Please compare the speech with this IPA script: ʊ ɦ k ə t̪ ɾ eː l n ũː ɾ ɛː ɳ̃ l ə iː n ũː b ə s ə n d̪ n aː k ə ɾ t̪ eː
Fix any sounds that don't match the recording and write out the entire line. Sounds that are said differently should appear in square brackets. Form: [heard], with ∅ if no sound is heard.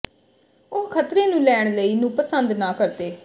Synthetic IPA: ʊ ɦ [kʰ] ə t̪ ɾ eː [∅] n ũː [l] ɛː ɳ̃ l ə iː n ũː [p] ə s ə n d̪ n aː k ə ɾ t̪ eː

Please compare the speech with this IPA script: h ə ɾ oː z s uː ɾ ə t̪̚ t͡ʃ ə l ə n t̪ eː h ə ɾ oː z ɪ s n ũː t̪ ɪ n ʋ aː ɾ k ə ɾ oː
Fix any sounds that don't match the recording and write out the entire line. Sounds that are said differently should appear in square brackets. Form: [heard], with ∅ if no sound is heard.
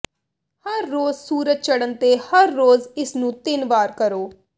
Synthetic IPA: h ə [ɾː] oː z s uː ɾ ə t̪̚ t͡ʃ ə [ɽ] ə n t̪ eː h ə [ɾː] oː z ɪ s n ũː t̪ ɪ n ʋ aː ɾ k ə ɾ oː

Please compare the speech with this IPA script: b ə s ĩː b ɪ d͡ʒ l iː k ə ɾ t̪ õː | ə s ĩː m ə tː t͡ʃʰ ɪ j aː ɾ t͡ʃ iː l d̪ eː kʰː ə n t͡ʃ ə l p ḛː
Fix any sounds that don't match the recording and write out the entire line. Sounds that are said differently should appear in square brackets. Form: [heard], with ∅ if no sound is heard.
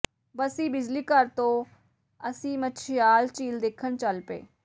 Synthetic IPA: b ə s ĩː b ɪ d͡ʒ l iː k ə ɾ t̪ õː | ə s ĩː m ə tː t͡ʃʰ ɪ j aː [l] t͡ʃ iː l d̪ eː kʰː ə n t͡ʃ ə l p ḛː

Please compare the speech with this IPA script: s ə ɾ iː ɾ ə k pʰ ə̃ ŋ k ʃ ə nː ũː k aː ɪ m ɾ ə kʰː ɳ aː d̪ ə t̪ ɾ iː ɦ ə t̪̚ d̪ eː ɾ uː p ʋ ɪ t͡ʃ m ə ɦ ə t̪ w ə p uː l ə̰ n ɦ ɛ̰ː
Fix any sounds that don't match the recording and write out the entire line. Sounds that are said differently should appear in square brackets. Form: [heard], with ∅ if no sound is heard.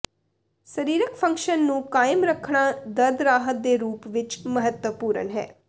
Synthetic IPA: s ə ɾ iː ɾ ə k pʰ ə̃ ŋ k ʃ ə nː ũː k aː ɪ m ɾ ə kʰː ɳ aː d̪ ə [d̪] ɾ [aː] ɦ ə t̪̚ d̪ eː ɾ uː p ʋ ɪ t͡ʃ m ə ɦ ə t̪ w ə p uː [ɾ] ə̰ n ɦ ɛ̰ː

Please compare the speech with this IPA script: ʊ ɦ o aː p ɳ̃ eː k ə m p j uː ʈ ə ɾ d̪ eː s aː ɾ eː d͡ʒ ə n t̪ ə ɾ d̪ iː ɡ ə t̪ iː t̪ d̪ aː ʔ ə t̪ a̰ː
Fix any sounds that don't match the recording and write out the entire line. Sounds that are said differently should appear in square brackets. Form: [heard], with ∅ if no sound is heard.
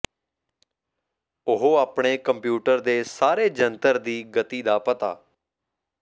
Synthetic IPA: ʊ ɦ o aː p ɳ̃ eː k ə m p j uː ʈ ə ɾ d̪ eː s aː ɾ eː d͡ʒ ə n t̪ ə ɾ d̪ iː ɡ ə t̪ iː [∅] d̪ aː [p] ə t̪ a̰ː

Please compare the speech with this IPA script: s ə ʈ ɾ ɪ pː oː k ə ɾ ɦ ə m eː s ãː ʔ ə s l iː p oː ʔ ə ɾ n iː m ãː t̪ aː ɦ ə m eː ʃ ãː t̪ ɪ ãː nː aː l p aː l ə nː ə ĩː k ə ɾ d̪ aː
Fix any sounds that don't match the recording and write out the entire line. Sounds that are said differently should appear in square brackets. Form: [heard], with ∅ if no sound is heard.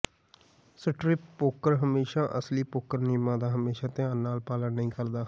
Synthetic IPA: s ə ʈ ɾ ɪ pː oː k ə ɾ ɦ ə m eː [ʃ] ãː ʔ ə s l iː p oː [k] ə ɾ n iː m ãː [d̪] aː ɦ ə m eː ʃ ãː t̪ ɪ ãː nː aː l p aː l ə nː ə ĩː k ə ɾ d̪ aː

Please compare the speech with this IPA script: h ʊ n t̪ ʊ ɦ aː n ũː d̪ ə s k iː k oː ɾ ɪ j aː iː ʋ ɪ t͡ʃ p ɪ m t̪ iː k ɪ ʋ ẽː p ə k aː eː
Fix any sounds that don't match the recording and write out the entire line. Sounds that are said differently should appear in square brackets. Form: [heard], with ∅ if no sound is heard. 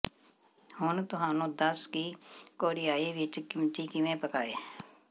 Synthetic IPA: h ʊ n t̪ ʊ ɦ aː n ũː d̪ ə s k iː k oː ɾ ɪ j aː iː ʋ ɪ t͡ʃ [k] ɪ m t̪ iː k ɪ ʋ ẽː p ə k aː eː

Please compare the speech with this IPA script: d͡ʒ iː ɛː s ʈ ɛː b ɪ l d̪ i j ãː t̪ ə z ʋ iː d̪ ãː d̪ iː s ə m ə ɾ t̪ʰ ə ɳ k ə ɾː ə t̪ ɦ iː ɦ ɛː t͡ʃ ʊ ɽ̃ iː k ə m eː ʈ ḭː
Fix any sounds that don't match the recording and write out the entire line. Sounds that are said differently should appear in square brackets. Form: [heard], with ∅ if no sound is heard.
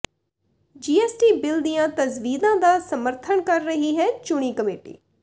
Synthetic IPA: d͡ʒ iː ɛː s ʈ [iː] b ɪ l d̪ i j ãː t̪ ə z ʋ iː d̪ ãː d̪ [aː] s ə m ə ɾ t̪ʰ ə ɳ k ə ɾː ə [∅] ɦ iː ɦ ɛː t͡ʃ ʊ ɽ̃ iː k ə m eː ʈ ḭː

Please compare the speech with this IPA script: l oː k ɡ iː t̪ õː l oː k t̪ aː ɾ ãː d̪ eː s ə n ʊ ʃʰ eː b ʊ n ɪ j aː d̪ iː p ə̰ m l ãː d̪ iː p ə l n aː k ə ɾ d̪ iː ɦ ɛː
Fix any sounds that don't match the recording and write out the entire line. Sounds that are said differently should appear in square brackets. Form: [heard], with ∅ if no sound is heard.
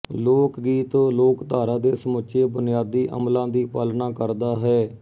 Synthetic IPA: l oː k ɡ iː t̪ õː l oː k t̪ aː ɾ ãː d̪ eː s ə [m] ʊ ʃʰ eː b ʊ n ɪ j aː d̪ iː [ʔ] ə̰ m l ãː d̪ iː p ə l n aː k ə ɾ d̪ [aː] ɦ ɛː

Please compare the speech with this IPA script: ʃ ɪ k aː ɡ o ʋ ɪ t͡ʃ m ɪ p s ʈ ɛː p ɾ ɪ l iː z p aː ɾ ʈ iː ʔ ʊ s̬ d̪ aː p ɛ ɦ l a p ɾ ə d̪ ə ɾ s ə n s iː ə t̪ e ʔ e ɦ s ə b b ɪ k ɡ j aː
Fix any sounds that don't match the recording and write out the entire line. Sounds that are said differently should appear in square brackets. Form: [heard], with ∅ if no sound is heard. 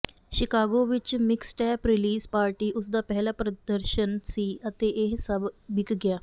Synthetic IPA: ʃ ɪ k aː ɡ o ʋ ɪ t͡ʃ m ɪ [k] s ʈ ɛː p ɾ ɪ l iː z p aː ɾ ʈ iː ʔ ʊ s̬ d̪ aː p ɛ ɦ l a p ɾ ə d̪ ə ɾ [ʃ] ə n s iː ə t̪ e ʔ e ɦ s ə b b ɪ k ɡ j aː

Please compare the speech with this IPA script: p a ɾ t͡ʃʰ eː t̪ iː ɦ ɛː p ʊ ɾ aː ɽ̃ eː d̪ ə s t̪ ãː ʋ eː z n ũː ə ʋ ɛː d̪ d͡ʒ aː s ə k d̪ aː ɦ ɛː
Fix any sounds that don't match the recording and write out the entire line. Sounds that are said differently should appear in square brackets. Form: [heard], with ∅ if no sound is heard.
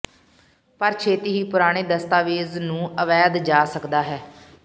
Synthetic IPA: p [ə] ɾ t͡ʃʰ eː t̪ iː ɦ [iː] p ʊ ɾ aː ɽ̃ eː d̪ ə s t̪ [aː] ʋ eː z n ũː ə ʋ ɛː d̪ d͡ʒ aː s ə k d̪ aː ɦ ɛː

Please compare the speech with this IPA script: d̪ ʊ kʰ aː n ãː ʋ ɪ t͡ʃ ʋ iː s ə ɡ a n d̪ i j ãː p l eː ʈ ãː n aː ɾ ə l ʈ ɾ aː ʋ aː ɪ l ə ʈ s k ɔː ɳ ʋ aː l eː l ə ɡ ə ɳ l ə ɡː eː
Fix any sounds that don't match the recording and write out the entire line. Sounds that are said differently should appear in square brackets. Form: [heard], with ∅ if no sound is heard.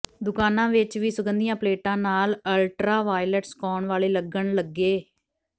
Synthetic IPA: d̪ ʊ [k] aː n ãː ʋ ɪ t͡ʃ ʋ iː s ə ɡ [ə] n d̪ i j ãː p l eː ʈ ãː n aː [l] ə l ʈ ɾ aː ʋ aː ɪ l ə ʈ s k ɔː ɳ ʋ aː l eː l ə ɡ ə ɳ l ə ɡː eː

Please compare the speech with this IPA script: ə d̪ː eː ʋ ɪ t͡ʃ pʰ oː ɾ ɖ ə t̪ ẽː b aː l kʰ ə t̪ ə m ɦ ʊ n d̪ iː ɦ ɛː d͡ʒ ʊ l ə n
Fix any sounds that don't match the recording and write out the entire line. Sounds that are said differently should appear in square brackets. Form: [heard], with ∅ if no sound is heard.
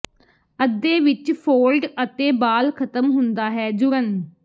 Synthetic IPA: ə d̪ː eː ʋ ɪ t͡ʃ pʰ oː [l] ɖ ə t̪ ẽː b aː l kʰ ə t̪ ə m ɦ ʊ n d̪ [aː] ɦ ɛː d͡ʒ ʊ [ɾ] ə n

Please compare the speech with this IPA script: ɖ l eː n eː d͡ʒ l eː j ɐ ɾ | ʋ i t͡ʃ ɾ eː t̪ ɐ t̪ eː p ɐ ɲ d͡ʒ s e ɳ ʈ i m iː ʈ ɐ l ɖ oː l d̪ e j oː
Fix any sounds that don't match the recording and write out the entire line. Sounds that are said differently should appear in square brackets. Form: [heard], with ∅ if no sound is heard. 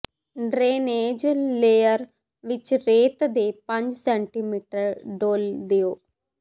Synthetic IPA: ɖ [ɾ] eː n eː d͡ʒ l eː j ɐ ɾ | ʋ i t͡ʃ ɾ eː t̪ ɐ [d̪] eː p ɐ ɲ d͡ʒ s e ɳ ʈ i m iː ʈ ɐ [ɾ] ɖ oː l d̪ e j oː

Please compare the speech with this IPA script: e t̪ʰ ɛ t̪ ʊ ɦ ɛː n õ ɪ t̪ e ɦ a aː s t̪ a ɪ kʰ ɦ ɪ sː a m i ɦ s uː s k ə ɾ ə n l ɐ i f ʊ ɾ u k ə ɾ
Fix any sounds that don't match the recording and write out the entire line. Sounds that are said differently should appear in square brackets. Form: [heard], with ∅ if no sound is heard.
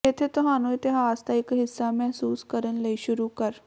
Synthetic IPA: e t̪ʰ [e] t̪ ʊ ɦ [aː] n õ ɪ t̪ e ɦ a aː s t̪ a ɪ [k] ɦ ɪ sː a m [ɛ] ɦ s uː s k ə ɾ ə n l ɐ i [ʃ] ʊ ɾ u k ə ɾ

